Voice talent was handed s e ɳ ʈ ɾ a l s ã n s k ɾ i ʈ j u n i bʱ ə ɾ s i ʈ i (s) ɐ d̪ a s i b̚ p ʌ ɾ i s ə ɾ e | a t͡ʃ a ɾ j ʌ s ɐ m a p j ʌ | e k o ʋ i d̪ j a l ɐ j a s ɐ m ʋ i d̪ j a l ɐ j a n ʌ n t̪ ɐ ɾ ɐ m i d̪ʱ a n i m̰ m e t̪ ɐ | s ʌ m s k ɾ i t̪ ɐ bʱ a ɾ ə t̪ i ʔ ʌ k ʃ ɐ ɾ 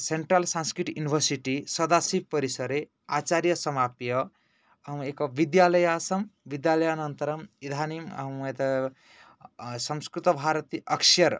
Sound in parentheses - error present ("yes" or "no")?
no